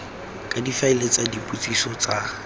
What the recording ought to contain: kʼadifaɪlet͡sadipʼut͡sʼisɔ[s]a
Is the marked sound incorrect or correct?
incorrect